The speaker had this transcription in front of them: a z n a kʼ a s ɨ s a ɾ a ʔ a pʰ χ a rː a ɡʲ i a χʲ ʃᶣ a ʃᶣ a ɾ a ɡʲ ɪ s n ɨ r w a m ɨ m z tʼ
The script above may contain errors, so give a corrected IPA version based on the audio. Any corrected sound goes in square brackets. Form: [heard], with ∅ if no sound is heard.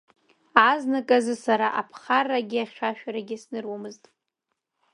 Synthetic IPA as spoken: a z n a kʼ a [z] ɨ s a ɾ a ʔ a pʰ χ a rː a ɡʲ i a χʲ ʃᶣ a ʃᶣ a ɾ a ɡʲ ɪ s n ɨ r w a m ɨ [∅] z tʼ